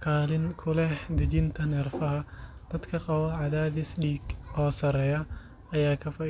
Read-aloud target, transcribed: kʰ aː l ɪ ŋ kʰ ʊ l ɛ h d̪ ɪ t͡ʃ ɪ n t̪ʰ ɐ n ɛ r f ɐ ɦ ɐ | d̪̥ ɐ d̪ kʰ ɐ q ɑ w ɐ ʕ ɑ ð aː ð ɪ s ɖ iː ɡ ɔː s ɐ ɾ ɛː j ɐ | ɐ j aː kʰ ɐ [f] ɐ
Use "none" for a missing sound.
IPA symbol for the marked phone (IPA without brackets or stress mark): f